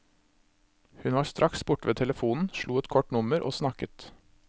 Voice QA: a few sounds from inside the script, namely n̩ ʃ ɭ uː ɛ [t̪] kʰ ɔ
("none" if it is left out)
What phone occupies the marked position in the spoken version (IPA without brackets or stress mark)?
t̪